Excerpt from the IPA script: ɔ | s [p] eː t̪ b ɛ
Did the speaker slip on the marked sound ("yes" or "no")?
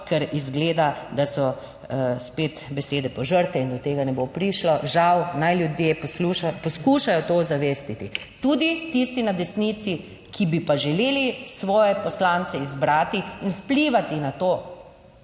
no